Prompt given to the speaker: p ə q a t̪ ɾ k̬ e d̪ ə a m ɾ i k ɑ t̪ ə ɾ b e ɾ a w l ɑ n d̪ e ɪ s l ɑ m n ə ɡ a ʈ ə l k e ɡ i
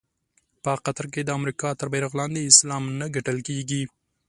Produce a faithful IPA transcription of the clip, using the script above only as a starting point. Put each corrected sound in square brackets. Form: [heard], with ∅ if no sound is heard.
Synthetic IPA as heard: p ə q a t̪ ɾ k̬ e d̪ ə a m ɾ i k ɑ t̪ ə ɾ b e ɾ a [ɣ] l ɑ n d̪ e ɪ s l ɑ m n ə ɡ a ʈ ə l k e ɡ i